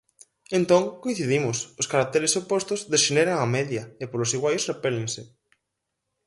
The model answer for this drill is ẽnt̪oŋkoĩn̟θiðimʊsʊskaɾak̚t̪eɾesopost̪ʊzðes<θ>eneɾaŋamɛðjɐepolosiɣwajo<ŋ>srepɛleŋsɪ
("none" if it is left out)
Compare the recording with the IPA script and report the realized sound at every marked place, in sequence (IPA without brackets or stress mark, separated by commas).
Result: ʃ, none